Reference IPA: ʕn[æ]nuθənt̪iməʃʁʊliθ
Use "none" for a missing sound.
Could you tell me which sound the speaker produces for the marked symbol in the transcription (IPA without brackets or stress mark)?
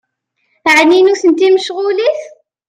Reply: i